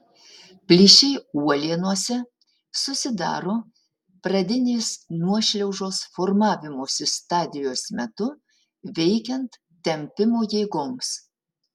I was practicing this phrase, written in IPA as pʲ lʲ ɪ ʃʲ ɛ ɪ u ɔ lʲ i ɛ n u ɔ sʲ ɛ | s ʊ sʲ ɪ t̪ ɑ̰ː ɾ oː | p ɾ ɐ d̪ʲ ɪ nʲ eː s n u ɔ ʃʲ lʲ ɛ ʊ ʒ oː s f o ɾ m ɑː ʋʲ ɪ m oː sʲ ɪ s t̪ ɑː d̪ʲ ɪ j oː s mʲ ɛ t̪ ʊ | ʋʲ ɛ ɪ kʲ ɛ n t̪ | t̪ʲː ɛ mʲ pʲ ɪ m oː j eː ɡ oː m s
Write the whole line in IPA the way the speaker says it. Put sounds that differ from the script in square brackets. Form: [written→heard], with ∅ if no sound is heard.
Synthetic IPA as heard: pʲ lʲ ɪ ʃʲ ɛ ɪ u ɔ lʲ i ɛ n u ɔ sʲ ɛ | s ʊ sʲ ɪ [t̪→d̪] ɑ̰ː ɾ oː | p ɾ ɐ d̪ʲ ɪ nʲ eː s n u ɔ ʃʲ lʲ ɛ ʊ ʒ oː s f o ɾ m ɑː ʋʲ ɪ m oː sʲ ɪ s t̪ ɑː d̪ʲ ɪ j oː s mʲ ɛ t̪ ʊ | ʋʲ ɛ ɪ kʲ ɛ n t̪ | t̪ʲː ɛ mʲ pʲ ɪ m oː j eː ɡ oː m s